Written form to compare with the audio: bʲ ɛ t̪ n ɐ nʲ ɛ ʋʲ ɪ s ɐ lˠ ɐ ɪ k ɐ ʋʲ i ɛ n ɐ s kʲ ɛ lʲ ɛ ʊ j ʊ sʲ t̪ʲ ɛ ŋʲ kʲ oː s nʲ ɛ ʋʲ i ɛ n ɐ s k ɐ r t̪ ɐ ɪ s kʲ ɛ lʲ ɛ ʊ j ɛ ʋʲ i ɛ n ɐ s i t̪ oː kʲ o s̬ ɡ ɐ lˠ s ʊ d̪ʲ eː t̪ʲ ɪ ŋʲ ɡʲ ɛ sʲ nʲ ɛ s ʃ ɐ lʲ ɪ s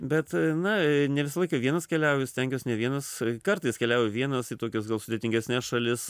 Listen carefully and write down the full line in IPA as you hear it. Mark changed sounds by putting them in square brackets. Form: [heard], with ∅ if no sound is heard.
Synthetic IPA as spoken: bʲ ɛ t̪ n ɐ nʲ ɛ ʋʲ ɪ s ɐ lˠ ɐ ɪ k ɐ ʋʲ i ɛ n ɐ s kʲ ɛ lʲ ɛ ʊ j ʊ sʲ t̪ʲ ɛ ŋʲ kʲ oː s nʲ ɛ ʋʲ i ɛ n ɐ s k ɐ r t̪ ɐ ɪ s kʲ ɛ lʲ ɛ ʊ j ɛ ʋʲ i ɛ n ɐ s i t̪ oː kʲ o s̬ ɡ ɐ lˠ s ʊ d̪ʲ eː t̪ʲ ɪ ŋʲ ɡʲ ɛ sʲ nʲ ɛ s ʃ ɐ lʲ ɪ s